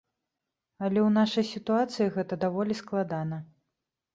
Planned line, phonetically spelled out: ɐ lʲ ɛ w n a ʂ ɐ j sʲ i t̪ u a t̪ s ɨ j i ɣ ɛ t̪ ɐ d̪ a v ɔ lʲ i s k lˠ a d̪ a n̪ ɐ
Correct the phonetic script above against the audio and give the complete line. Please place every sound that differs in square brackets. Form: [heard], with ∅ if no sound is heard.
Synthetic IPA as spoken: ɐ lʲ ɛ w n a ʂ ɐ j sʲ i t̪ u a t̪ s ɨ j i ɣ ɛ t̪ ɐ d̪ a v ɔ lʲ i s k lˠ a d̪ a n̪ ɐ